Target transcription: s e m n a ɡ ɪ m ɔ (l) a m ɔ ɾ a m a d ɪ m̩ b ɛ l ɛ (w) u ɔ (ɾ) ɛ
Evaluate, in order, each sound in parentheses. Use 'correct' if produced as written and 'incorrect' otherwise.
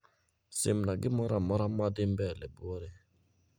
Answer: incorrect: ɾ, incorrect: b, correct

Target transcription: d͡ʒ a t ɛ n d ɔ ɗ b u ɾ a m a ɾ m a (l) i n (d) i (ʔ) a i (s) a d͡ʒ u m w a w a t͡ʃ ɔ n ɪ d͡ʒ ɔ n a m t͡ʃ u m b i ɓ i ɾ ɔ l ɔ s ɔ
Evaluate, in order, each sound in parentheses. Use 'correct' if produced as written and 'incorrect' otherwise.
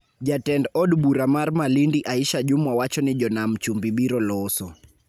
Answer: correct, correct, correct, incorrect: ʃ

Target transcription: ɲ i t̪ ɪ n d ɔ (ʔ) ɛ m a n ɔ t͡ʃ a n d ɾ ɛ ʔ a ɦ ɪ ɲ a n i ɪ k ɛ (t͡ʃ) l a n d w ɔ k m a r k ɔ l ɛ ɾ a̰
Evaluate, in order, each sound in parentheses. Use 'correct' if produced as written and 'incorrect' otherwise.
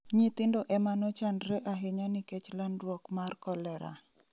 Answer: correct, correct

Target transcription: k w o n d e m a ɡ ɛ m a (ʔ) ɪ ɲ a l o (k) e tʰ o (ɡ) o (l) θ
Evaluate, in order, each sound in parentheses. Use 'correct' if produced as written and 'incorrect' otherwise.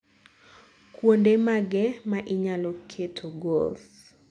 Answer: correct, incorrect: kʰ, correct, correct

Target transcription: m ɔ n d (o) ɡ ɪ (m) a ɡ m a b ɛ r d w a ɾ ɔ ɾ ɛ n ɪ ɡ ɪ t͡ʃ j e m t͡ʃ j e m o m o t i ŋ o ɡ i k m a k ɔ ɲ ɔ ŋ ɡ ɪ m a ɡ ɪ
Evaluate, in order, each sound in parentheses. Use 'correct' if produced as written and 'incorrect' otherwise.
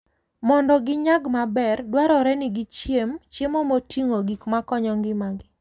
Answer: incorrect: ɔ, incorrect: ɲ

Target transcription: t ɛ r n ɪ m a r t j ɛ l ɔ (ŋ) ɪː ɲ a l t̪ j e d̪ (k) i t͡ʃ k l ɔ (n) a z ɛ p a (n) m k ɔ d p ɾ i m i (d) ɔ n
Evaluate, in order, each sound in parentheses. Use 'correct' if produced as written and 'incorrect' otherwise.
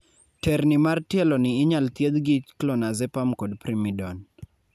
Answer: incorrect: n, incorrect: ɡ, correct, incorrect: none, correct

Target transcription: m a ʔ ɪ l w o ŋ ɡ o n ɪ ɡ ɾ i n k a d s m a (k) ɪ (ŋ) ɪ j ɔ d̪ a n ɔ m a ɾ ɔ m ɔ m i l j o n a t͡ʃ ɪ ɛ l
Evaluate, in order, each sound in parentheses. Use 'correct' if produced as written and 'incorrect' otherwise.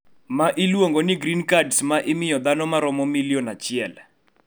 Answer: incorrect: ʔ, incorrect: m

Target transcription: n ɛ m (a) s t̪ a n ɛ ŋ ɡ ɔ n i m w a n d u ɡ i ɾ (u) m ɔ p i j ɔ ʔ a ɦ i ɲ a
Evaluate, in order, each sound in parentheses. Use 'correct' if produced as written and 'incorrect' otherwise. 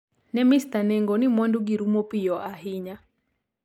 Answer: incorrect: i, correct

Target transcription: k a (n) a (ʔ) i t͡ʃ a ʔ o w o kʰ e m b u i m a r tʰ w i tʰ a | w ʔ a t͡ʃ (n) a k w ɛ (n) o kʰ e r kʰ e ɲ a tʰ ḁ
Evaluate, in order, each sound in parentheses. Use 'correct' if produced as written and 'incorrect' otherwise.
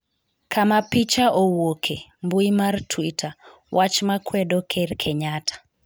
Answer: incorrect: m, incorrect: p, incorrect: m, incorrect: d

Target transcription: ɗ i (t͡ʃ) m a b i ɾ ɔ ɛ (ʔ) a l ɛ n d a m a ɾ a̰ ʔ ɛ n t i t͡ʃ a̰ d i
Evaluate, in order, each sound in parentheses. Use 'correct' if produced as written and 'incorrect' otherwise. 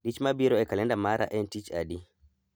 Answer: correct, incorrect: k

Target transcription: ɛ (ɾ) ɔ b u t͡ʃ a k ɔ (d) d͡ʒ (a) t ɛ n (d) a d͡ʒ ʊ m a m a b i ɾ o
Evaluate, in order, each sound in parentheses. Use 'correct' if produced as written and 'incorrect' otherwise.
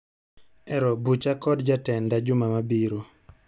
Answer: correct, correct, correct, correct

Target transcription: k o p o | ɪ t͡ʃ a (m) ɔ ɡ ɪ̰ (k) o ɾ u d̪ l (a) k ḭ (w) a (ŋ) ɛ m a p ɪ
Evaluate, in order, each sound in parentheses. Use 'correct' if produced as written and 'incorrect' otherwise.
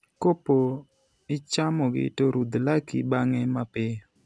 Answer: correct, incorrect: t, correct, incorrect: b, correct

